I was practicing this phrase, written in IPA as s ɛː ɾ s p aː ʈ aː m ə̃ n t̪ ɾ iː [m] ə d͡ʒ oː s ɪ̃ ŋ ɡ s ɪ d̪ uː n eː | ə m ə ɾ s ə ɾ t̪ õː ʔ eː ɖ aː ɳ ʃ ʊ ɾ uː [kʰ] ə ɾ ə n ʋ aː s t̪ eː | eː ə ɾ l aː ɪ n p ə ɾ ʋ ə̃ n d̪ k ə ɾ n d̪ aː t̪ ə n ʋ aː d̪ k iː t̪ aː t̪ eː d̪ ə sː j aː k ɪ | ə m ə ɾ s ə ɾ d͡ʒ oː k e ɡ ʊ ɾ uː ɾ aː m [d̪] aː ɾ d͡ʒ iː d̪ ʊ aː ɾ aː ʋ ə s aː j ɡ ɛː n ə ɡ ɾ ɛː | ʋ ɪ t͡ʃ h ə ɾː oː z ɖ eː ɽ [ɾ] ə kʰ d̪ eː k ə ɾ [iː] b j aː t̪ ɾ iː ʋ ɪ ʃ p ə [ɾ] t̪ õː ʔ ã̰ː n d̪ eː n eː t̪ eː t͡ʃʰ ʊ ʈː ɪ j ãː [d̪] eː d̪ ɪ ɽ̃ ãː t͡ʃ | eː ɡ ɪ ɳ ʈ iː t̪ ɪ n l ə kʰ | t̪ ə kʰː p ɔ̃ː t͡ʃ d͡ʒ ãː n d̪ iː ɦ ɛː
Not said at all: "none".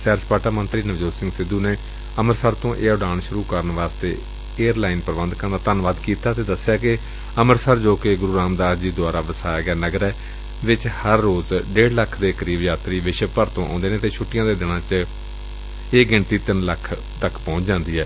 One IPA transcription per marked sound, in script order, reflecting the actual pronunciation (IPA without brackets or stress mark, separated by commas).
n, k, d̪, l, iː, ɾ, d̪